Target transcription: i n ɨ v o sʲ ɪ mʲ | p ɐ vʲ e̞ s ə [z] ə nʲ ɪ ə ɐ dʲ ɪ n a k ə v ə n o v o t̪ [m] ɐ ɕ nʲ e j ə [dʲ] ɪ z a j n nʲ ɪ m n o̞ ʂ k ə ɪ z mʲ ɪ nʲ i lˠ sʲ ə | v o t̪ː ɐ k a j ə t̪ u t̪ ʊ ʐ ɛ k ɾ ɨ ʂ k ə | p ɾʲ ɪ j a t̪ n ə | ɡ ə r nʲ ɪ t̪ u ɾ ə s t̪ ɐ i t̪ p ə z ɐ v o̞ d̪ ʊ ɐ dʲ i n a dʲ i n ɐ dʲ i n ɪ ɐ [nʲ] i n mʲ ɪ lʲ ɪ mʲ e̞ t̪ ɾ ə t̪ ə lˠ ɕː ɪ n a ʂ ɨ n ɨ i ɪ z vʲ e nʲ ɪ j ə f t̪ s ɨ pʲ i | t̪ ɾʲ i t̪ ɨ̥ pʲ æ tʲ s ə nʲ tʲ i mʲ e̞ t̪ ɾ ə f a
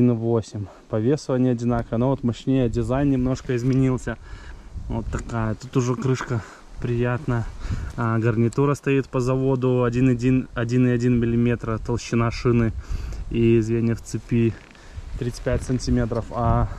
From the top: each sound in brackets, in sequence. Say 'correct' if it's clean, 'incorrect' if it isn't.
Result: incorrect: v, correct, correct, incorrect: dʲ

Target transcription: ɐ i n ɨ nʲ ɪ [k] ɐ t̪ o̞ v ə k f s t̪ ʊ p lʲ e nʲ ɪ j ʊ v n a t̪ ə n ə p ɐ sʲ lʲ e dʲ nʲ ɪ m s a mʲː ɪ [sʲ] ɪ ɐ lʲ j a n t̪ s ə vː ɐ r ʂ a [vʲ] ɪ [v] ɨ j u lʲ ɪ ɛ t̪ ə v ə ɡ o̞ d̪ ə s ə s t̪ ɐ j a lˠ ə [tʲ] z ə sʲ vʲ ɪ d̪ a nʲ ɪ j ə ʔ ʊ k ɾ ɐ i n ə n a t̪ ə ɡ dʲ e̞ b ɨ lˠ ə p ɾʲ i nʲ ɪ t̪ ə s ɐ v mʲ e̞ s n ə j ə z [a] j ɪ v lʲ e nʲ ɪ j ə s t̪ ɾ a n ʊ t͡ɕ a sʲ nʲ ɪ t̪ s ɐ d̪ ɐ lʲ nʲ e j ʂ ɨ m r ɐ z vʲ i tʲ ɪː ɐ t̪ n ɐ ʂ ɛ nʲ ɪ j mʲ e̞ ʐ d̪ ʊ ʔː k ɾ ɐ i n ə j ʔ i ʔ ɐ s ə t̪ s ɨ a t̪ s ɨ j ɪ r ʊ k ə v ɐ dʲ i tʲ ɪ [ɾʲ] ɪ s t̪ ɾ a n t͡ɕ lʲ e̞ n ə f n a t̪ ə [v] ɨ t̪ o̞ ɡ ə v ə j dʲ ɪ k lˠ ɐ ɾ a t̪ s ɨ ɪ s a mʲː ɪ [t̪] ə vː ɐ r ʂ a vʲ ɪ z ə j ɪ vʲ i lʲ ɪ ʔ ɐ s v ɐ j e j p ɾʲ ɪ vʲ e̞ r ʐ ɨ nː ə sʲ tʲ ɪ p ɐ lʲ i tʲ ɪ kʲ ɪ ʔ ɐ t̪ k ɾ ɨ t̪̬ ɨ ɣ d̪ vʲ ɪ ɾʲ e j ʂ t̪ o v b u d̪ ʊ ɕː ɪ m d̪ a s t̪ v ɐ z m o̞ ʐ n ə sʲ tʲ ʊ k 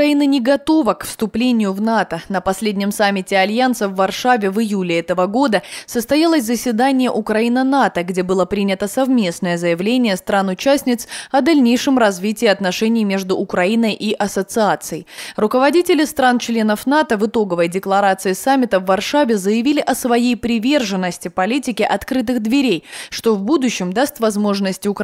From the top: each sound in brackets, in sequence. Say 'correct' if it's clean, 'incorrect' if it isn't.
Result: incorrect: ɡ, incorrect: tʲ, correct, correct, incorrect: sʲ, incorrect: ə, incorrect: lʲ, correct, correct

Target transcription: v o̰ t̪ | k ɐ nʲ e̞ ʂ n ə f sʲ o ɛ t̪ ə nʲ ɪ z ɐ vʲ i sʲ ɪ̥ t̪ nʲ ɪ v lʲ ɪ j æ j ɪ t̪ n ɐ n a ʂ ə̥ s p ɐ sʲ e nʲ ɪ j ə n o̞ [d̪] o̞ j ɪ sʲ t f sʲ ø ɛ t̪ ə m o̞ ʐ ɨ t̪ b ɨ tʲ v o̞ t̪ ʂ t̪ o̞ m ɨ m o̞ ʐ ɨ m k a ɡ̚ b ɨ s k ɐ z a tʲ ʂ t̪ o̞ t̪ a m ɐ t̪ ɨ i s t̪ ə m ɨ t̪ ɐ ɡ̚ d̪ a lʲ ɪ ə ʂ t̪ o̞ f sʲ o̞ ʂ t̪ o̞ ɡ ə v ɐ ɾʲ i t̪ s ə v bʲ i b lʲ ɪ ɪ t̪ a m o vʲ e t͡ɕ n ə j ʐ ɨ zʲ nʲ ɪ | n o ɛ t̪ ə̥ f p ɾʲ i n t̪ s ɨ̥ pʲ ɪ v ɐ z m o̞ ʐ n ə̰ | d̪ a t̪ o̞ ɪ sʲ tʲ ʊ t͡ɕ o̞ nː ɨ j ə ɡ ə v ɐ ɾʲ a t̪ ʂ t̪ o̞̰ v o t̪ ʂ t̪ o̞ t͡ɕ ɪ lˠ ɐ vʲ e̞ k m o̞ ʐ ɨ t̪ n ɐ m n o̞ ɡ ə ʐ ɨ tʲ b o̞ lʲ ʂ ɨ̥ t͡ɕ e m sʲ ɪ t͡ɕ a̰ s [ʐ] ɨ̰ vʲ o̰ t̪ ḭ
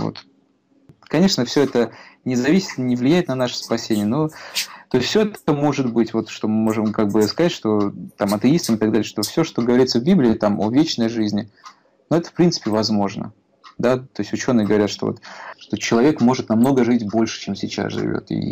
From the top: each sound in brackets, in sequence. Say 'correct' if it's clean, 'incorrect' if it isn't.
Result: incorrect: t̪, correct

